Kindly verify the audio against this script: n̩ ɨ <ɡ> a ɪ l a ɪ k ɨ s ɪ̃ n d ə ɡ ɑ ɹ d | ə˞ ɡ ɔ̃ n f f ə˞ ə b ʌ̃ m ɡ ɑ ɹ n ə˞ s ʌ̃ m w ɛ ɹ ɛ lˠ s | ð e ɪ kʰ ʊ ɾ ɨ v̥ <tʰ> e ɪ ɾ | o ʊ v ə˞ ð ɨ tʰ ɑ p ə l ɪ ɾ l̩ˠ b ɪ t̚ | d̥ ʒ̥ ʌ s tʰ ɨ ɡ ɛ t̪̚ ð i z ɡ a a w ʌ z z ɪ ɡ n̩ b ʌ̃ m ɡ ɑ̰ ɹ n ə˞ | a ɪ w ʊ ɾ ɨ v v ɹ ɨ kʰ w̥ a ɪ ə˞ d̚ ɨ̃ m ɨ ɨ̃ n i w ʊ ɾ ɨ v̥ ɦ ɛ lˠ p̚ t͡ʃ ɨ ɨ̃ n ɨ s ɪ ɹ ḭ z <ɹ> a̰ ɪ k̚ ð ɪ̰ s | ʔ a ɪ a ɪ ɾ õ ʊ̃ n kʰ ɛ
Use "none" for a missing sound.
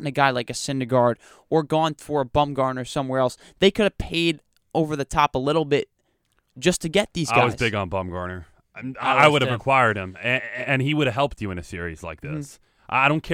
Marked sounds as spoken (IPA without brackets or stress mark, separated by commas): ɡ, pʰ, l